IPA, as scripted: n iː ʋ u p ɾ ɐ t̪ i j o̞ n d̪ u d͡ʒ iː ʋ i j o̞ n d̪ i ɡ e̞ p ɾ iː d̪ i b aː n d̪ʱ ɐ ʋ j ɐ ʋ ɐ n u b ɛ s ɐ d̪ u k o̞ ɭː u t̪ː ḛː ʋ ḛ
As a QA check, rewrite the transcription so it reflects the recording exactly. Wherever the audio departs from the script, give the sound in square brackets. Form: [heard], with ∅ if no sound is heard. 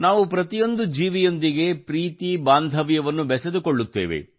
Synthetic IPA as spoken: n [aː] ʋ u p ɾ ɐ t̪ i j o̞ n d̪ u d͡ʒ iː ʋ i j o̞ n d̪ i ɡ e̞ p ɾ iː [t̪] i b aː n d̪ʱ ɐ ʋ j ɐ ʋ ɐ [nː] u b ɛ s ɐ d̪ u k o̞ ɭː u t̪ː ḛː ʋ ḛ